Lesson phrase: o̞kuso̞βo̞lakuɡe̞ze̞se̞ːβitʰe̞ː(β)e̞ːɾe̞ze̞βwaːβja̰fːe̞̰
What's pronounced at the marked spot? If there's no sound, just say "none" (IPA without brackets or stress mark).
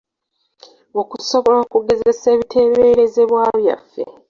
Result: β